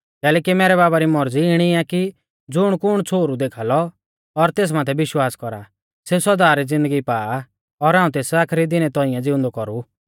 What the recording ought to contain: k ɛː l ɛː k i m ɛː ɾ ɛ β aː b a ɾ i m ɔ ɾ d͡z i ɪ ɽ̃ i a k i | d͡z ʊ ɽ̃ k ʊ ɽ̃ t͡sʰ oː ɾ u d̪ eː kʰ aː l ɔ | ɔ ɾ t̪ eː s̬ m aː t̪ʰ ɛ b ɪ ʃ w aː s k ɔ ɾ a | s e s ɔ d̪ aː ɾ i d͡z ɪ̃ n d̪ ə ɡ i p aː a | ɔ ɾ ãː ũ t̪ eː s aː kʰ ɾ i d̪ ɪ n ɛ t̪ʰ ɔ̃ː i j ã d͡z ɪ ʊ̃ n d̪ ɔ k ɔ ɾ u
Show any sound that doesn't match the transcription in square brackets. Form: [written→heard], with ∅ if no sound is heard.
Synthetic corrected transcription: k ɛː l ɛː k i m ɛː ɾ ɛ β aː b a ɾ i m ɔ ɾ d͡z i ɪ ɽ̃ i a k i | d͡z ʊ ɽ̃ k ʊ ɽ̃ t͡sʰ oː ɾ u d̪ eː kʰ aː l ɔ | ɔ ɾ t̪ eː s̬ m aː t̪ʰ ɛ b ɪ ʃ w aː s k ɔ ɾ a | s e s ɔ d̪ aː ɾ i d͡z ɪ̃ n d̪ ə ɡ i p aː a | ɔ ɾ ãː ũ t̪ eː s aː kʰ ɾ i d̪ ɪ n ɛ [t̪ʰ→t̪] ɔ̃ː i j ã d͡z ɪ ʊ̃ n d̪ ɔ k ɔ ɾ u

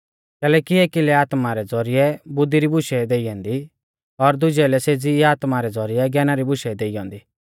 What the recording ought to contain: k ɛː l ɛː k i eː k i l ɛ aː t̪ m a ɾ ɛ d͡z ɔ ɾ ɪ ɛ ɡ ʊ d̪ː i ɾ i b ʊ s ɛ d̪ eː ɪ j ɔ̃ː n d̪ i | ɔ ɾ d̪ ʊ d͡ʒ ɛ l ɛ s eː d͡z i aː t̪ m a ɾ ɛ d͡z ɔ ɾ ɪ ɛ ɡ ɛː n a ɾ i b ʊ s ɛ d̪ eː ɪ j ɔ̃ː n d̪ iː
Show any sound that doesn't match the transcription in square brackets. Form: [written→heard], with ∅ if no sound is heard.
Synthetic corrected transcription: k ɛː l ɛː k i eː k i l ɛ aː t̪ m a ɾ ɛ d͡z ɔ ɾ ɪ ɛ [ɡ→b] ʊ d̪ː i ɾ i b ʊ [s→ʃ] ɛ d̪ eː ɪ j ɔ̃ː n d̪ i | ɔ ɾ d̪ ʊ d͡ʒ ɛ l ɛ s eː d͡z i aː t̪ m a ɾ ɛ d͡z ɔ ɾ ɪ ɛ ɡ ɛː n a ɾ i b ʊ [s→ʃ] ɛ d̪ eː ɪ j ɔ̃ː n d̪ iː

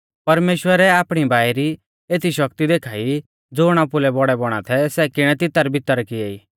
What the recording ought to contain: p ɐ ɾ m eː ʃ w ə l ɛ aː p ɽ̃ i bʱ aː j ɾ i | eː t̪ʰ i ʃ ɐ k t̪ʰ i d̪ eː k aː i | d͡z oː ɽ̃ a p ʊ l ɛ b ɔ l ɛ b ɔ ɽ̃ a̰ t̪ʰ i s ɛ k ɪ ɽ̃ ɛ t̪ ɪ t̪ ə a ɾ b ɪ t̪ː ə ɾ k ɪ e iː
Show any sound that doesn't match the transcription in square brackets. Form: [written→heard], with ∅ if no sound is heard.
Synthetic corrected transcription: p ɐ ɾ m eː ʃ w ə [l→ɾ] ɛ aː p ɽ̃ i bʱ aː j ɾ i | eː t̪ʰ i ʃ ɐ k [t̪ʰ→t̪] i d̪ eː [k→kʰ] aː i | d͡z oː ɽ̃ a p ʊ l ɛ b ɔ [l→ɽ] ɛ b ɔ ɽ̃ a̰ t̪ʰ [i→ɛ] s ɛ k ɪ ɽ̃ ɛ t̪ ɪ t̪ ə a ɾ b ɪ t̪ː ə ɾ k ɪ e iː

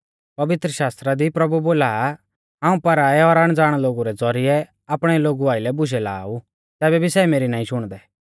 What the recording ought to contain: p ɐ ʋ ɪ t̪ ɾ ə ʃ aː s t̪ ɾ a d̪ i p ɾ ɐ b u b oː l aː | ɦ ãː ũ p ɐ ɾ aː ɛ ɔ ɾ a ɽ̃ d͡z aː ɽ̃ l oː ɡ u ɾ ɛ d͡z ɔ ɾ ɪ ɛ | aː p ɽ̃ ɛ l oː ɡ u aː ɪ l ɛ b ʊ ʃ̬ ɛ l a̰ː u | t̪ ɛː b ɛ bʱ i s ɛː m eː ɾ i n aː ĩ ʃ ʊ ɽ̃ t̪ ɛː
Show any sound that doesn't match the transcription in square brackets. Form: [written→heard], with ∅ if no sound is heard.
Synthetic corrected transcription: p ɐ ʋ ɪ t̪ ɾ ə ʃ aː s t̪ ɾ a d̪ i p ɾ ɐ b u b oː l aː | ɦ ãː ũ p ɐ ɾ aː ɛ ɔ ɾ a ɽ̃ d͡z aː ɽ̃ l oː ɡ u ɾ ɛ d͡z ɔ ɾ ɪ ɛ | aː p ɽ̃ ɛ l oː ɡ u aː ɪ l ɛ b ʊ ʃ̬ ɛ l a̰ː u | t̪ ɛː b ɛ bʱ i s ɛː m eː ɾ i n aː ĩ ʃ ʊ ɽ̃ [t̪→d̪] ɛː

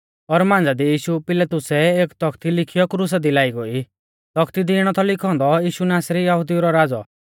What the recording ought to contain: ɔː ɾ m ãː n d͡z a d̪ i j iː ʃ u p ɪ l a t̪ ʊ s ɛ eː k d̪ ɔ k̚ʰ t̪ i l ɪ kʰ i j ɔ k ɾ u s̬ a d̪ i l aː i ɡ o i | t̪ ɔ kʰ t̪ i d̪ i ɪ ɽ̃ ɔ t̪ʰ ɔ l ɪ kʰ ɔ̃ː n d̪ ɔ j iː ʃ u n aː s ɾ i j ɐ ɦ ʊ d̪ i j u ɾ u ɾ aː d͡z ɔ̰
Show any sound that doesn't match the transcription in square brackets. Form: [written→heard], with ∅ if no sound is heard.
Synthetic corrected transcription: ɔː ɾ m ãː n d͡z a d̪ i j iː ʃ u p ɪ l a t̪ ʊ s ɛ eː k [d̪→t̪] ɔ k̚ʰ t̪ i l ɪ kʰ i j ɔ k ɾ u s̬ a d̪ i l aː i ɡ o i | t̪ ɔ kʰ t̪ i d̪ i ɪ ɽ̃ ɔ t̪ʰ ɔ l ɪ kʰ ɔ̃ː n d̪ ɔ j iː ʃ u n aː s ɾ i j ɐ ɦ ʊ d̪ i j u ɾ [u→ɔ] ɾ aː d͡z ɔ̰

